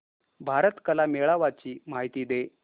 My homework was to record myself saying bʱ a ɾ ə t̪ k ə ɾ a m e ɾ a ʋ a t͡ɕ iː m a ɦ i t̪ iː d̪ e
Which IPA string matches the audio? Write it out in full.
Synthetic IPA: bʱ a ɾ ə t̪ k ə l a m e ɭ a ʋ a t͡ɕ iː m a ɦ i t̪ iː d̪ e